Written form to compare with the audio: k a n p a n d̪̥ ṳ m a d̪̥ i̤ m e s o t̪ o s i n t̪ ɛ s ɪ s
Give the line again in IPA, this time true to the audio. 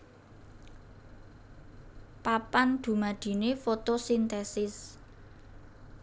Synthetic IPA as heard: p a p a n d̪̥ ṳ m a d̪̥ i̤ n e f o t̪ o s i n t̪ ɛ s ɪ s

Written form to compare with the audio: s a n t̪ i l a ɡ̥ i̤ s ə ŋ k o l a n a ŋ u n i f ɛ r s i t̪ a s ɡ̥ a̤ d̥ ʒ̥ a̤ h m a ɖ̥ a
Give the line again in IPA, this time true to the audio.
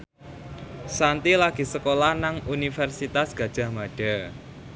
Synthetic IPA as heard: s a n t̪ i l a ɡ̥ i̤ s ə k o l a n a ŋ u n i f ɛ r s i t̪ a s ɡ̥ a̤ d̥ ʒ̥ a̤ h m a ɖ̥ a

